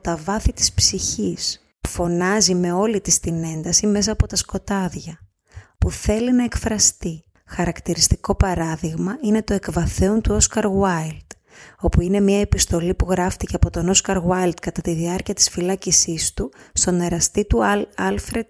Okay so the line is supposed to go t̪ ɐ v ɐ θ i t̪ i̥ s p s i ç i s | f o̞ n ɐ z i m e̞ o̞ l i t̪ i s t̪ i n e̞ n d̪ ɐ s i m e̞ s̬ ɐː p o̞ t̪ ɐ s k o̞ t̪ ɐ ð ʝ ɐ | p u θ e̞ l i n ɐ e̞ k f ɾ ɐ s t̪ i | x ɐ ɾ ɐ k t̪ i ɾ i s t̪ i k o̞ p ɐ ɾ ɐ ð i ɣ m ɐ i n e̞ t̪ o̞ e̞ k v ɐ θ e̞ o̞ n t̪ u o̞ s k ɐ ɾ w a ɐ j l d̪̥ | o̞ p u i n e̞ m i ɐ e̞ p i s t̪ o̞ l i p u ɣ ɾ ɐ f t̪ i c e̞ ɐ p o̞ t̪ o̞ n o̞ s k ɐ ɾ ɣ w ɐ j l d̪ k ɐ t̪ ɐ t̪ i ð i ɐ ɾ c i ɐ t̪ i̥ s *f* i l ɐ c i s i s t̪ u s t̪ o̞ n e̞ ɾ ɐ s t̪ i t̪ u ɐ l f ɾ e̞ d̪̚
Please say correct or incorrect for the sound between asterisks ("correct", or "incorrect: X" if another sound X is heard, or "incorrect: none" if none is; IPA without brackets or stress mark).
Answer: correct